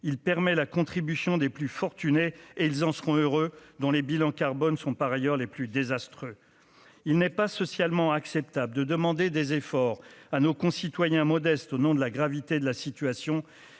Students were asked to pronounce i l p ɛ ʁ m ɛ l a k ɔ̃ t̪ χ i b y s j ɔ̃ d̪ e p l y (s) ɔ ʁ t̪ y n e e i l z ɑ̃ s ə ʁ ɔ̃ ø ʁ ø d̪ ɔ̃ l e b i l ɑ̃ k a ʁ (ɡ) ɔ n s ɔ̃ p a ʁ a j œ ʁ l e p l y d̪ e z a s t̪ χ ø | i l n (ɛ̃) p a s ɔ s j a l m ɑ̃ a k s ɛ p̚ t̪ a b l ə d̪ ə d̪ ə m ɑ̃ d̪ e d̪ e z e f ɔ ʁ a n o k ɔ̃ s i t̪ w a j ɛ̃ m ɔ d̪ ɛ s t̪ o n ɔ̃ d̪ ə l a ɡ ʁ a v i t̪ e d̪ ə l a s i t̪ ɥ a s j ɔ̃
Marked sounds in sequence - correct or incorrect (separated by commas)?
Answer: incorrect, incorrect, incorrect